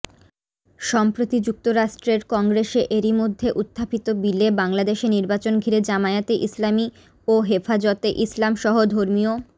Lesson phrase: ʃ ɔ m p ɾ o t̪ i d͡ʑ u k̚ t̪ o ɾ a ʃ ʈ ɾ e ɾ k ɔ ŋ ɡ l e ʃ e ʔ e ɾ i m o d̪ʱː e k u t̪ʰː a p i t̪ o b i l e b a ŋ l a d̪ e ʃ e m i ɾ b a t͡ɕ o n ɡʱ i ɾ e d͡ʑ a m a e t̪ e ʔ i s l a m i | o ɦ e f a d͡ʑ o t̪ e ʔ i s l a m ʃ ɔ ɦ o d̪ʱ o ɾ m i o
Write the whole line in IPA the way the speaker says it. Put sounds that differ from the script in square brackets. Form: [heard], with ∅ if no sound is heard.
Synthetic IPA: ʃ ɔ m p ɾ o t̪ i d͡ʑ u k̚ t̪ o ɾ a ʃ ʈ ɾ e ɾ k ɔ ŋ ɡ [ɾ] e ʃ e ʔ e ɾ i m o d̪ʱː e [ʔ] u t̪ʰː a p i t̪ o b i l e b a ŋ l a d̪ e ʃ e [n] i ɾ b a t͡ɕ o n ɡʱ i ɾ e d͡ʑ a m a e t̪ e ʔ i s l a m i | o ɦ e f a d͡ʑ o t̪ e ʔ i s l a m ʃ ɔ ɦ o d̪ʱ o ɾ m i o